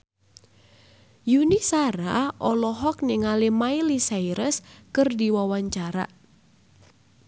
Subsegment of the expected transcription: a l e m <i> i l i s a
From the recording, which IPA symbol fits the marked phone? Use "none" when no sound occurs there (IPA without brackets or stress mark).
a